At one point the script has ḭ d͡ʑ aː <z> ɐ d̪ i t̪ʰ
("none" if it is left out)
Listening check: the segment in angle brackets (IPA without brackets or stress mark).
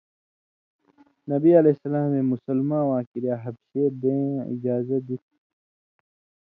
z